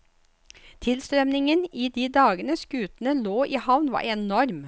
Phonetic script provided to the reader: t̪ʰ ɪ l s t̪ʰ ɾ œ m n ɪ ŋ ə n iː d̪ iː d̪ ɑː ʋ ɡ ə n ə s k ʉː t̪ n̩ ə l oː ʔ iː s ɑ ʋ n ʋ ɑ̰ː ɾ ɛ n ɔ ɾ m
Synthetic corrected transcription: t̪ʰ ɪ l s t̪ ɾ œ m n ɪ ŋ ə n iː d̪ iː d̪ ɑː ɡ ə n ə s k ʉː t̪ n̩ ə l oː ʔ iː h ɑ ʋ n ʋ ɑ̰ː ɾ ɛ n ɔ ɾ m